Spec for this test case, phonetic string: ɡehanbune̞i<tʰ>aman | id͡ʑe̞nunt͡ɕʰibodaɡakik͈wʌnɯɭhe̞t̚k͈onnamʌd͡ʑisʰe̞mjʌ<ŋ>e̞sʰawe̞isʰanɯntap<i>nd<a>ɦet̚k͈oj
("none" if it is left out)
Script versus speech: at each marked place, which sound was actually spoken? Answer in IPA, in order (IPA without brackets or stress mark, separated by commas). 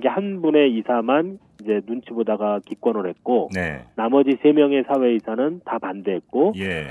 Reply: sʰ, ŋ, a, e